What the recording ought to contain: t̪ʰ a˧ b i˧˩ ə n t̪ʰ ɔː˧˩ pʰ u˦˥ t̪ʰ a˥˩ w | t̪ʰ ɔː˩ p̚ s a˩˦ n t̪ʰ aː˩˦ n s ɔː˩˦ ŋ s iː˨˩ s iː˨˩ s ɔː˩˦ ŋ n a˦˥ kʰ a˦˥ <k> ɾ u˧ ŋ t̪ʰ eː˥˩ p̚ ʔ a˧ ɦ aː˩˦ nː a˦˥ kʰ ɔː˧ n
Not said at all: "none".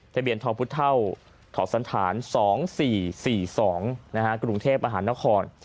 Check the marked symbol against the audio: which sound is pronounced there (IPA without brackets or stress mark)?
k